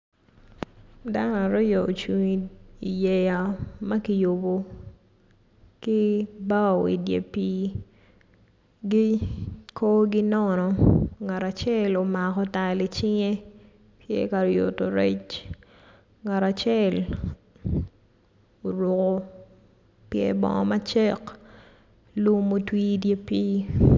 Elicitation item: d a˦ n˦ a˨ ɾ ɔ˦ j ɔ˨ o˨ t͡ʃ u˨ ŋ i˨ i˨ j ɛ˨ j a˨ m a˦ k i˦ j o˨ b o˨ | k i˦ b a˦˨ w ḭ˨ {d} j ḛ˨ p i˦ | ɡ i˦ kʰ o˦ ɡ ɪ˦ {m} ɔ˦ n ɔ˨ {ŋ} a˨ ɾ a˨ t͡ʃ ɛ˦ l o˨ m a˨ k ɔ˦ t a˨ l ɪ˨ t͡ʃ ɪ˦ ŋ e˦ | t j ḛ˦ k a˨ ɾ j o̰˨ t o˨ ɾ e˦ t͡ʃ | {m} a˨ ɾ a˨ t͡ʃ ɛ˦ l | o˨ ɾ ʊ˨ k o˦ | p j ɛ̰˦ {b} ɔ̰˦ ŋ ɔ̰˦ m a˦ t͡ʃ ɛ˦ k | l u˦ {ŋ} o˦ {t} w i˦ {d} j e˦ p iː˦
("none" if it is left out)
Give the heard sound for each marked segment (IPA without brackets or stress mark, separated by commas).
d, n, ŋ, ŋ, b, m, t, d